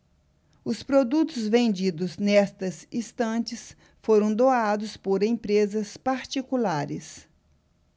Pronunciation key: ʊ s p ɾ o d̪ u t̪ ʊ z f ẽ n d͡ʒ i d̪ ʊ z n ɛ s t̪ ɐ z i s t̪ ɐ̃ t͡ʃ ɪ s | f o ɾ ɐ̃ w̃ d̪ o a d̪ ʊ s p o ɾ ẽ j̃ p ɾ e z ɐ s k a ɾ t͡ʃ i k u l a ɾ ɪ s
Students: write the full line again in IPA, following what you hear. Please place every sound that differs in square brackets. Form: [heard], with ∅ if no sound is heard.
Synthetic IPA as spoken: ʊ s p ɾ o d̪ u t̪ ʊ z [v] ẽ n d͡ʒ i d̪ ʊ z n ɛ s t̪ ɐ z i s t̪ ɐ̃ t͡ʃ ɪ s | f o ɾ ɐ̃ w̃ d̪ o a d̪ ʊ s p o ɾ ẽ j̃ p ɾ e z ɐ s [p] a ɾ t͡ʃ i k u l a ɾ ɪ s